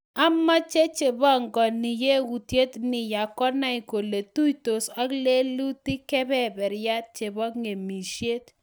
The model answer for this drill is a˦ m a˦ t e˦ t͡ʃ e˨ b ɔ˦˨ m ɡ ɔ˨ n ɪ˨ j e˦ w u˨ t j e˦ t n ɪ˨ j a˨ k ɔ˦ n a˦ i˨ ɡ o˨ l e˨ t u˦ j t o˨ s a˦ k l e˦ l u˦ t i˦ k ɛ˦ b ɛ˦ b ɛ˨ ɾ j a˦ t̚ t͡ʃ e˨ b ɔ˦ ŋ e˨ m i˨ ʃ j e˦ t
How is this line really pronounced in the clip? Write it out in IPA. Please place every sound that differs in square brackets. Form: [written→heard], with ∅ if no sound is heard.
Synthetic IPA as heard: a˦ m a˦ [t→t͡ʃ] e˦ t͡ʃ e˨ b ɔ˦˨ [m→ŋ] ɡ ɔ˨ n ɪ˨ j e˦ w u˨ t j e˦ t n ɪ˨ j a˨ k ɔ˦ n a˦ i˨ [ɡ→k] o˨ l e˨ t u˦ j t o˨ s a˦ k l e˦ l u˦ t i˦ k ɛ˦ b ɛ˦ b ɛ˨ ɾ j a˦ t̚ t͡ʃ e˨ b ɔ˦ ŋ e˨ m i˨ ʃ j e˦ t